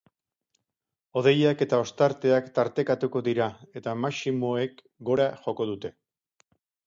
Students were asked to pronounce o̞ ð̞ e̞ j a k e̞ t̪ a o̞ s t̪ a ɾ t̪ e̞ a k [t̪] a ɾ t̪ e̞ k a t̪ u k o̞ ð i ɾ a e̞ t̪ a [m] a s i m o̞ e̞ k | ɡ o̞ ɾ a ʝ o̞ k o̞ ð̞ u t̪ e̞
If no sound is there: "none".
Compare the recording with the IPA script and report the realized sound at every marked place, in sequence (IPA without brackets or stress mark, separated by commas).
t̪, m